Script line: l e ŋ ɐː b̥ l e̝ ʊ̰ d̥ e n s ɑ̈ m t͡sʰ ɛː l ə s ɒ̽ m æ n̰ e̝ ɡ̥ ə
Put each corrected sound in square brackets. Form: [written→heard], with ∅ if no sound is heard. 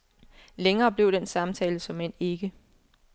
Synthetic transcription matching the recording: l e ŋ ɐː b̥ l e̝ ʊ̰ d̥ e n s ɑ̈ m t͡sʰ ɛː l ə s ɒ̽ m [æ→e] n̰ e̝ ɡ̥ ə